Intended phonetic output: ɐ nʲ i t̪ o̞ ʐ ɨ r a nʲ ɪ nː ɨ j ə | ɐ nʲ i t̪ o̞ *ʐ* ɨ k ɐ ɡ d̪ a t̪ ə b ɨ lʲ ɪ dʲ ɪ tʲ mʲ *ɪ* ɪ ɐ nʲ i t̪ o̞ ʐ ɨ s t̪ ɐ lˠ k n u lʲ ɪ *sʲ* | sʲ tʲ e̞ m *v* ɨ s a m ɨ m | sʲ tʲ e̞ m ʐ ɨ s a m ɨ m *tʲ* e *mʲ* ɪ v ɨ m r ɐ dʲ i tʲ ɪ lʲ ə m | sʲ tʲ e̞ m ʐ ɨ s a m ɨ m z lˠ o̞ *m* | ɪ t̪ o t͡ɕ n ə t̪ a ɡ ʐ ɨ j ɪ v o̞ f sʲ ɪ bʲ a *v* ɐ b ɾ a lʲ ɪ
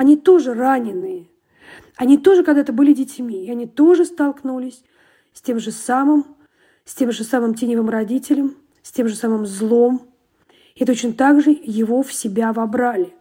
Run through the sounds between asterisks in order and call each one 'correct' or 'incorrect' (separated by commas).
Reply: correct, incorrect, correct, incorrect, correct, incorrect, correct, correct